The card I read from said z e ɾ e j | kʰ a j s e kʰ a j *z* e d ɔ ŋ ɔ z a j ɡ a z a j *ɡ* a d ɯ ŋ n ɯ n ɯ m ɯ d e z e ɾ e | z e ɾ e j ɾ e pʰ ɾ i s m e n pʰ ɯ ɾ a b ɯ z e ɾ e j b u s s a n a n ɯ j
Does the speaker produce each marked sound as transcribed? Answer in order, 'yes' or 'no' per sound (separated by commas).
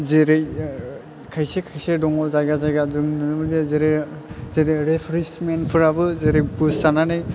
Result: no, yes